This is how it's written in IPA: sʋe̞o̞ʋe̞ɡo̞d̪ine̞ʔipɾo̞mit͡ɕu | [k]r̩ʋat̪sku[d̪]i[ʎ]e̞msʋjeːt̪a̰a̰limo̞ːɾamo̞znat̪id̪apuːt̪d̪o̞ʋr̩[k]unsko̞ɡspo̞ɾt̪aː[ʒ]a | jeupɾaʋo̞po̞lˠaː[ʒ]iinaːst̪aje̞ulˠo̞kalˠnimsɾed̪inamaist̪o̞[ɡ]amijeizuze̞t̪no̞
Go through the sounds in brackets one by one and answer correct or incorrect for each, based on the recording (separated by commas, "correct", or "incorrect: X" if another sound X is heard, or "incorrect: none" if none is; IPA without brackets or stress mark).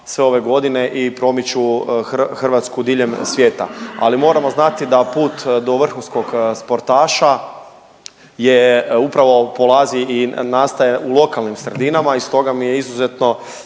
incorrect: x, correct, correct, incorrect: x, incorrect: ʃ, incorrect: z, correct